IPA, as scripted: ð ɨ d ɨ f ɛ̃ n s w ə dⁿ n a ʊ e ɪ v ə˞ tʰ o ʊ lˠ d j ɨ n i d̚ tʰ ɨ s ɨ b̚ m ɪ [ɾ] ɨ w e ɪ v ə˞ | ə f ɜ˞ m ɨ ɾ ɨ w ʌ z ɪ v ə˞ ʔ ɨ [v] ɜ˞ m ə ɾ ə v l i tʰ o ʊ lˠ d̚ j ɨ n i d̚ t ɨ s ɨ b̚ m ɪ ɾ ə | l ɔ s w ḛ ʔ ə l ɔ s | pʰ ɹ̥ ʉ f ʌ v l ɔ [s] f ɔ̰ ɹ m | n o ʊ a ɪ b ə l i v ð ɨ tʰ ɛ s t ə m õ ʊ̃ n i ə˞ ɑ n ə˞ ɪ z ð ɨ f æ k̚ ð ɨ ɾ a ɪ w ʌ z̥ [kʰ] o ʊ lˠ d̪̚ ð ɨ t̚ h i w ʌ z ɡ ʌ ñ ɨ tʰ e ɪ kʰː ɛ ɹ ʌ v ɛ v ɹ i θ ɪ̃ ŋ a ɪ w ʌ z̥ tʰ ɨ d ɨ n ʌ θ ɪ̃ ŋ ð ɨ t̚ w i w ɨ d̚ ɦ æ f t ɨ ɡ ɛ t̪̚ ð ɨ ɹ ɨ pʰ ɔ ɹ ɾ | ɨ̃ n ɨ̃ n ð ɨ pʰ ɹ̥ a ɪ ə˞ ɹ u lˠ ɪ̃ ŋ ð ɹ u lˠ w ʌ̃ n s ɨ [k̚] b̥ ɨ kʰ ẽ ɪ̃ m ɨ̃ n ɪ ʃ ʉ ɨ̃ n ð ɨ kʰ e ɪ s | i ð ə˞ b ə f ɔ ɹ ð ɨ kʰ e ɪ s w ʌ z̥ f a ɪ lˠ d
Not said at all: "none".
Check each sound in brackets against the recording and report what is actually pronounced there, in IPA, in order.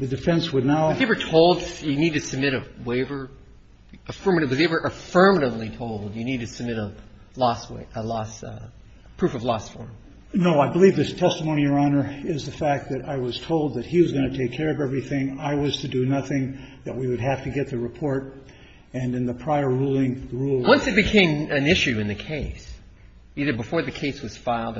ɾ, f, s, tʰ, t̚

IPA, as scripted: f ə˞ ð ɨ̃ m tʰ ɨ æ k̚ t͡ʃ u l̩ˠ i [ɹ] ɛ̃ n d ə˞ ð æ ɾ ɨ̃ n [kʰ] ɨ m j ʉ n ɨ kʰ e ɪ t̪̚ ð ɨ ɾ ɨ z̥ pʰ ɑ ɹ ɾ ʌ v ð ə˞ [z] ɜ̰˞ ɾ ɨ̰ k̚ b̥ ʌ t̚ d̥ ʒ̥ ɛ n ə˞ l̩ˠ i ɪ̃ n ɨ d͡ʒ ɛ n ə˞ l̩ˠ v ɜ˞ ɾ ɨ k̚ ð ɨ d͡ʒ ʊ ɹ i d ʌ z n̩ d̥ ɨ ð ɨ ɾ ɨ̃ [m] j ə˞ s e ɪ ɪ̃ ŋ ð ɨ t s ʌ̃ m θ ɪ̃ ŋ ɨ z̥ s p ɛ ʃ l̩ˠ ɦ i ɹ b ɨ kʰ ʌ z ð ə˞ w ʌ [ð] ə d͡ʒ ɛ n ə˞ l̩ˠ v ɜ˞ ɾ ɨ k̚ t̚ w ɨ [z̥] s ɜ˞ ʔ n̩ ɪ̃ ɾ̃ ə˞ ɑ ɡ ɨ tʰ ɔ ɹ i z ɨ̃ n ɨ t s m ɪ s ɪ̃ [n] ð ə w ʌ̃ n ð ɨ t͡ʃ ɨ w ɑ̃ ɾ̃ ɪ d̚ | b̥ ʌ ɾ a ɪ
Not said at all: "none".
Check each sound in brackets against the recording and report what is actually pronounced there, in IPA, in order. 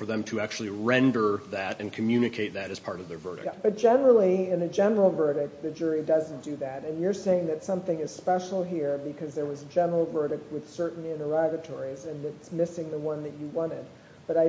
ɹ, kʰ, v, n, z, ð̥, ŋ

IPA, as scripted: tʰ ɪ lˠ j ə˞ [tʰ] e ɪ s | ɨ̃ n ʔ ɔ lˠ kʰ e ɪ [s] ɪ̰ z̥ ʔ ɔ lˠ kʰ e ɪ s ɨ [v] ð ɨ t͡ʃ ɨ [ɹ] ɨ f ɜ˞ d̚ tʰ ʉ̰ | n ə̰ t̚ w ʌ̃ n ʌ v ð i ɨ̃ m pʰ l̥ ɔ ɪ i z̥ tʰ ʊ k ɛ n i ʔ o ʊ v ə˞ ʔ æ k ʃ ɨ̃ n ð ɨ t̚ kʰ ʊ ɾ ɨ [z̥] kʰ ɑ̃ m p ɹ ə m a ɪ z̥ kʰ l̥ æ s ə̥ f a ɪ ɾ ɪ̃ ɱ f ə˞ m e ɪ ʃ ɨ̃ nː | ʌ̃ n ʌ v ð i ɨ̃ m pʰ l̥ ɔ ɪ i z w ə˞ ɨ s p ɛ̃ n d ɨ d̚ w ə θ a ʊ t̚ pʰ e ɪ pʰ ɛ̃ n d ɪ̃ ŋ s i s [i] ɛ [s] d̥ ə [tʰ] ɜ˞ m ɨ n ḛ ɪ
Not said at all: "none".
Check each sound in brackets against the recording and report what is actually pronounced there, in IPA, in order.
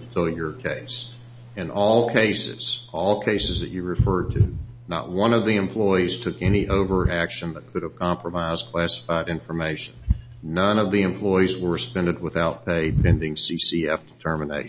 kʰ, s, z, ɹ, v̥, i, f, tʰ

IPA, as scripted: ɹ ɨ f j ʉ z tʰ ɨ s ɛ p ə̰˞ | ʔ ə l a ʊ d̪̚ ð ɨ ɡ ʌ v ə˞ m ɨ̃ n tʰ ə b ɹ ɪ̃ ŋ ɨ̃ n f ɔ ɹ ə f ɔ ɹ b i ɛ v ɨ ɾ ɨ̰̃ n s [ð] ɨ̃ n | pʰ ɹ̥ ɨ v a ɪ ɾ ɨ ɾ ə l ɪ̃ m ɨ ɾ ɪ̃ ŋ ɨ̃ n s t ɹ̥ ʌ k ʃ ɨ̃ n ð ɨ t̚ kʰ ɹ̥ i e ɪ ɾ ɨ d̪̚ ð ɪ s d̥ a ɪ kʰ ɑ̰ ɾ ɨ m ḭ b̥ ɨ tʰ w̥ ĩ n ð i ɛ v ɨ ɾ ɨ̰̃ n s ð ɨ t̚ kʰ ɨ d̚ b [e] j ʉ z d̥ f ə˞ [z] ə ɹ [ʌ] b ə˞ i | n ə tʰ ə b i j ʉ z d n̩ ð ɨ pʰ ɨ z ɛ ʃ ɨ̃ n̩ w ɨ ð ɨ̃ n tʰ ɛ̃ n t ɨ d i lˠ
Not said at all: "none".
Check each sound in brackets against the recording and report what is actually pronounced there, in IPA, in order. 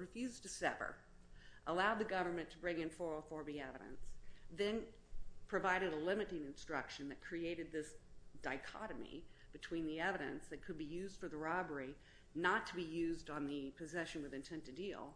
ð, i, ð, ɑ

